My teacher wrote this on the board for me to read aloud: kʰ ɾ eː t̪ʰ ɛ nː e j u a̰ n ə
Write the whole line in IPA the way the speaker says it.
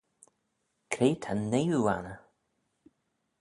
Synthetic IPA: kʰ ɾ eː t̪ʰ a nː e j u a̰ n ə

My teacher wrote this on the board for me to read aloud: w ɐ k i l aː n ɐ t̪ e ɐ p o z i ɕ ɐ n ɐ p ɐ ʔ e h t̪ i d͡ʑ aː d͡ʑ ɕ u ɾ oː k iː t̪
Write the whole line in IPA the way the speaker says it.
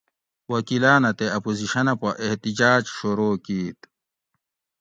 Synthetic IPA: w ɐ k i l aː n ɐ t̪ e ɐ p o z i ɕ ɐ n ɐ p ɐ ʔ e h t̪ i d͡ʑ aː d͡ʑ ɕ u ɾ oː k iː t̪

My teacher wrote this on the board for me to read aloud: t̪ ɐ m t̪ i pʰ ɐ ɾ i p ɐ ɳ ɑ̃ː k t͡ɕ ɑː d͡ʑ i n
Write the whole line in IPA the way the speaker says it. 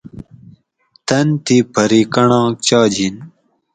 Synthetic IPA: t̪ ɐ n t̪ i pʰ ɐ ɾ i k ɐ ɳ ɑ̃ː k t͡ɕ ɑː d͡ʑ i n

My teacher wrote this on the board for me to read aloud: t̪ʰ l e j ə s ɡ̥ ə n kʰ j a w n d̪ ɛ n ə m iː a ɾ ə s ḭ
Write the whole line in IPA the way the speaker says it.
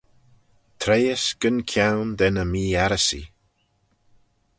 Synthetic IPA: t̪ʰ ɾ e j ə s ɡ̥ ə n kʰ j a w n d̪ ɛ n ə m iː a ɾ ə s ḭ

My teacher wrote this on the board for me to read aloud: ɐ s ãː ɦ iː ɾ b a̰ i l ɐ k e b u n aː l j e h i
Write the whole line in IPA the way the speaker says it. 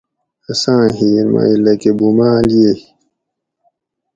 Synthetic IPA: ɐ s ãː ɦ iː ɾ m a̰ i l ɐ k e b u m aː l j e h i

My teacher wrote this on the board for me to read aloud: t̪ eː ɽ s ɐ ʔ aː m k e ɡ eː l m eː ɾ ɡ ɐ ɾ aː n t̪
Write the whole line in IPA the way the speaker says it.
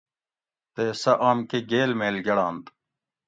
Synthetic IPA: t̪ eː s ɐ ʔ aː m k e ɡ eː l m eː l ɡ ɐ ɽ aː n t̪

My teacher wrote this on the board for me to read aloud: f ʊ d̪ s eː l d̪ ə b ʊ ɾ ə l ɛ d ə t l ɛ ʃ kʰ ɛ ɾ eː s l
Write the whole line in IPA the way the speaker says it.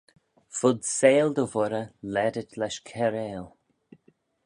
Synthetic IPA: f ʊ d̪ s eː l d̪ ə v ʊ ɾ ə l ɛ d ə t l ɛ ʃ kʰ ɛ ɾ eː l

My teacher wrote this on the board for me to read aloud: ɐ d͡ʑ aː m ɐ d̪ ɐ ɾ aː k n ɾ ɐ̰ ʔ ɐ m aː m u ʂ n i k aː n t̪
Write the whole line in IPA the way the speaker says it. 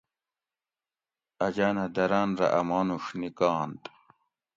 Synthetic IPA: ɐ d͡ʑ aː n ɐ d̪ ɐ ɾ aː n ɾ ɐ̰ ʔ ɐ m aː n u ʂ n i k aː n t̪

